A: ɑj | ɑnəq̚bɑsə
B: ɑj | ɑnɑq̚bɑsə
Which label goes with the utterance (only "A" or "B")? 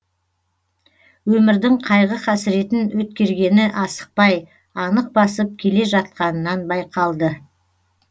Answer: A